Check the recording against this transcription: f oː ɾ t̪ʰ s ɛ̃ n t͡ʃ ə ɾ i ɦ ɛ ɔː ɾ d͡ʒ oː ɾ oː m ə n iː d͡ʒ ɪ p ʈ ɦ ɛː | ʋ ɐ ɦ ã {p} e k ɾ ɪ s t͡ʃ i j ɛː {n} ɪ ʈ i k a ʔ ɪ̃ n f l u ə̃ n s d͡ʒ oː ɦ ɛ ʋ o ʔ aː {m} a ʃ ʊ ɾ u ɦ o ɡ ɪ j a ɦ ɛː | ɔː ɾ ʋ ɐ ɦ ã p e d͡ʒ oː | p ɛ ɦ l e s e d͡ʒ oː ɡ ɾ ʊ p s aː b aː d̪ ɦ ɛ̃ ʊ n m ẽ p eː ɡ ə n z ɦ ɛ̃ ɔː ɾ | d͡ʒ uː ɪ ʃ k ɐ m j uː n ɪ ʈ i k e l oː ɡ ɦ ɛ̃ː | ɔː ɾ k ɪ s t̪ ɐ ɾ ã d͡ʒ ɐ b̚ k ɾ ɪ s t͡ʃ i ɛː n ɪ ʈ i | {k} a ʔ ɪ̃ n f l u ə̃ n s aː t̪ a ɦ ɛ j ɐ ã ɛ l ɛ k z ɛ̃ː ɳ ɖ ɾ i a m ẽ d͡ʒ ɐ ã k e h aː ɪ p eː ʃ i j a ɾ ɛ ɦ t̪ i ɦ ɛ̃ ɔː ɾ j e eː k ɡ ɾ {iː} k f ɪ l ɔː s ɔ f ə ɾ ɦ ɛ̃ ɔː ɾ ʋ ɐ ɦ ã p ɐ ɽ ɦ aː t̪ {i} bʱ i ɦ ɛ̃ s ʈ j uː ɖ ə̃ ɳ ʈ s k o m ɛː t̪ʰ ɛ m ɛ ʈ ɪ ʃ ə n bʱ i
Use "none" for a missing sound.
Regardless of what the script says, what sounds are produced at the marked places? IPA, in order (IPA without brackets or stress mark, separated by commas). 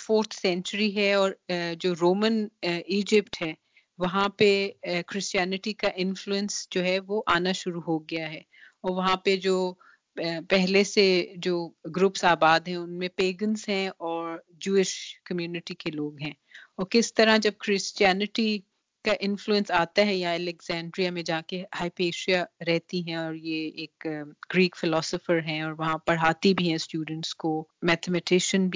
p, n, n, k, iː, i